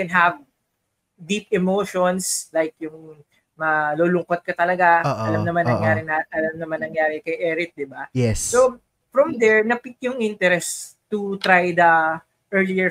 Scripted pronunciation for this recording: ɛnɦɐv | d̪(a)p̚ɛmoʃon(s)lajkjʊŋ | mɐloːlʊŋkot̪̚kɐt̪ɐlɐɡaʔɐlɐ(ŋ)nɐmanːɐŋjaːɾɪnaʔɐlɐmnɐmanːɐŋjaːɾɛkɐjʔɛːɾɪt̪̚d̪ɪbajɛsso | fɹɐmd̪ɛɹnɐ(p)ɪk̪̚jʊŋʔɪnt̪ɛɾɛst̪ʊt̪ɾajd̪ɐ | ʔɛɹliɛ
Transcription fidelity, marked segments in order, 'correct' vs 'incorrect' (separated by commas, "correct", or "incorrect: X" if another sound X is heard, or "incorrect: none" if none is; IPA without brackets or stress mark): incorrect: i, correct, incorrect: m, correct